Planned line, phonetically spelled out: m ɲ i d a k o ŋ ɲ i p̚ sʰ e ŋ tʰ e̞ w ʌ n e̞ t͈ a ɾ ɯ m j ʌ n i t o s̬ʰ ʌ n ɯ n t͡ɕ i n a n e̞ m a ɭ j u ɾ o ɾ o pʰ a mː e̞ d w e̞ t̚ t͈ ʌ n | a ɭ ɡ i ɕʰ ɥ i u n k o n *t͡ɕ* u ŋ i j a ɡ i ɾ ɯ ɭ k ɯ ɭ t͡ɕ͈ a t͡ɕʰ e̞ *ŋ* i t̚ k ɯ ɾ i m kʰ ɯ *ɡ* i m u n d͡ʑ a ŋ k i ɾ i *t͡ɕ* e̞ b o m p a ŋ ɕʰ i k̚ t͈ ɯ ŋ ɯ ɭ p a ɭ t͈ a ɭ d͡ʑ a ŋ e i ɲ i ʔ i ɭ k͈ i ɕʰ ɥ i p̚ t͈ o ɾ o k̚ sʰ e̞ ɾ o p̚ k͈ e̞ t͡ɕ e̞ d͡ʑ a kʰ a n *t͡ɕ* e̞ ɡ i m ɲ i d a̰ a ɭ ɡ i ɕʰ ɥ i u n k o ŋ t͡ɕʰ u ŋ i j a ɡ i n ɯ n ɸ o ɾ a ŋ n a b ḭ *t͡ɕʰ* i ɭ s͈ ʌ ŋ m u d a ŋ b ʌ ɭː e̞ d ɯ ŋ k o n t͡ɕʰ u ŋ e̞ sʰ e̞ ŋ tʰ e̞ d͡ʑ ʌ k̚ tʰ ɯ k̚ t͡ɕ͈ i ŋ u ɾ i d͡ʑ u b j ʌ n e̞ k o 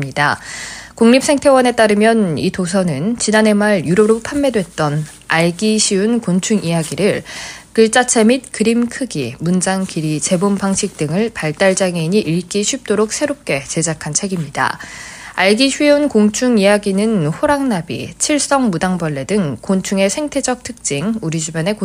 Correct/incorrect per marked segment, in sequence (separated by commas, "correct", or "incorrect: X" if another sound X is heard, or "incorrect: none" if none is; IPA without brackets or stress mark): incorrect: t͡ɕʰ, incorrect: m, correct, correct, incorrect: t͡ɕʰ, correct